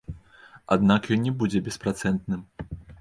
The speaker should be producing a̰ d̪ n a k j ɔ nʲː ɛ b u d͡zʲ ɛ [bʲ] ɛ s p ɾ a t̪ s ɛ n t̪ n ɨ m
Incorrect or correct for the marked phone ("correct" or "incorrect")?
correct